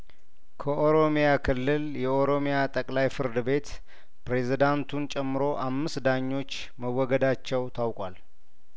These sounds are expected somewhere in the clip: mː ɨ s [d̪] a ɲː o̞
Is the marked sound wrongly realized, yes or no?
no